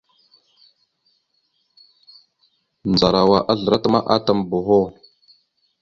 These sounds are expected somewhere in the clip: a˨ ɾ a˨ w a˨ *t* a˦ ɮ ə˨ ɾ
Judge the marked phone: incorrect: ʔ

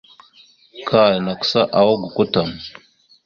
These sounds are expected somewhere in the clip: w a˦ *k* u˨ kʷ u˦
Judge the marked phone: incorrect: ɡ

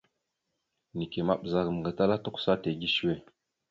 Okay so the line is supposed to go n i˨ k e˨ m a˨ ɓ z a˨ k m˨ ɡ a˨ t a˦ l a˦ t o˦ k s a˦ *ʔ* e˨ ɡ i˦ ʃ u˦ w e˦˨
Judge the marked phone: incorrect: t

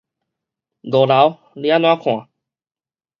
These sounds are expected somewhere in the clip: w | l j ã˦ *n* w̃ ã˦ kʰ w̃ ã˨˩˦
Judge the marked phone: correct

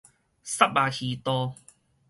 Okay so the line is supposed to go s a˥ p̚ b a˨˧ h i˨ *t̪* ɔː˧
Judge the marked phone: correct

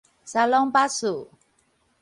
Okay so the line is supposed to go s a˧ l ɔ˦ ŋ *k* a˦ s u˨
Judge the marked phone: incorrect: p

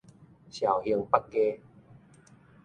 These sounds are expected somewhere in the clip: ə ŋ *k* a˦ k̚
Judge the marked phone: incorrect: p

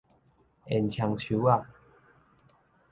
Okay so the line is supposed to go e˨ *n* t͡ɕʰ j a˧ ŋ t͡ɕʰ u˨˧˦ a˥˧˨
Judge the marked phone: correct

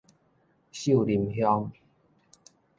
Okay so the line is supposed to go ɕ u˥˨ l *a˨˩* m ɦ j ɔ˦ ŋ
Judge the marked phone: incorrect: i˨˩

